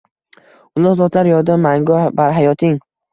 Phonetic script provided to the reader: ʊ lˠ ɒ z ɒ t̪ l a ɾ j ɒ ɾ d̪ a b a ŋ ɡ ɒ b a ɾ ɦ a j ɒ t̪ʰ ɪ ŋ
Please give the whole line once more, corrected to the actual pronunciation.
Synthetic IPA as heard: ʊ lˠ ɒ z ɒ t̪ l a ɾ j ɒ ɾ d̪ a m a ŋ ɡ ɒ b a ɾ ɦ a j ɒ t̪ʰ ɪ ŋ